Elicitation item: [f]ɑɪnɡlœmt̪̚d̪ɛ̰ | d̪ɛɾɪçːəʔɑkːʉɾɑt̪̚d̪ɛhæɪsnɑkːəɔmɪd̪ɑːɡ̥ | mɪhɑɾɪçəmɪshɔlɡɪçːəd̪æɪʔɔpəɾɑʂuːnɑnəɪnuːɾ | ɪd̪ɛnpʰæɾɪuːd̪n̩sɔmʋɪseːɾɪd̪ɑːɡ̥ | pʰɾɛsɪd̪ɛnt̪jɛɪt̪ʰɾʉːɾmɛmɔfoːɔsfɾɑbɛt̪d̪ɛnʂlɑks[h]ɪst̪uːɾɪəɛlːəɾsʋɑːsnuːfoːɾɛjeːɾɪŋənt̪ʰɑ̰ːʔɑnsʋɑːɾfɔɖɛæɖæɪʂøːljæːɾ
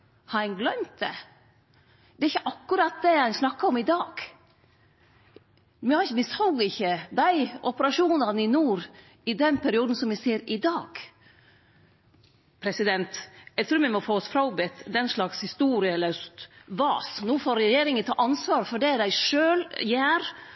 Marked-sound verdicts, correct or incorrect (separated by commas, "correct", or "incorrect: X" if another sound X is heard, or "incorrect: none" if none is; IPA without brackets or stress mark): incorrect: h, correct